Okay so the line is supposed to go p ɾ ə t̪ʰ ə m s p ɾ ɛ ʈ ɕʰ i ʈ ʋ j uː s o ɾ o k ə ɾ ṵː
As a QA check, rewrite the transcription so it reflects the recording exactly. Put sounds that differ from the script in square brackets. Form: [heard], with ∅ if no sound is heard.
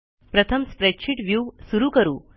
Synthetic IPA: p ɾ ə t̪ʰ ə m s p ɾ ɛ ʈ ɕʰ i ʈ ʋ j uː s [u] ɾ [u] k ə ɾ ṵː